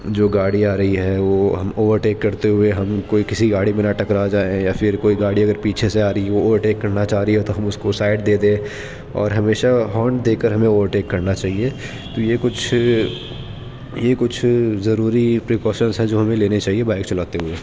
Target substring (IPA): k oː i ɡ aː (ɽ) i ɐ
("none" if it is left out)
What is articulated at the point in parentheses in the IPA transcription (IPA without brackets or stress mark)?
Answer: ɽ